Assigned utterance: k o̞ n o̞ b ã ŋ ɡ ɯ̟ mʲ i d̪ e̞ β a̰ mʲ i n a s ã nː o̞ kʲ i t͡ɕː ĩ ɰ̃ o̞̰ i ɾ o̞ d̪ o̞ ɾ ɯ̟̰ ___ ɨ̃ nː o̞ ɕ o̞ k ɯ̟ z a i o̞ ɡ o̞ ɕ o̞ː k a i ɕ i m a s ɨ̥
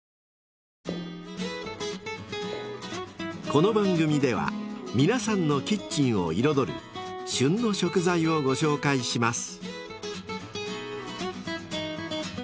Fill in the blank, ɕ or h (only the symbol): ɕ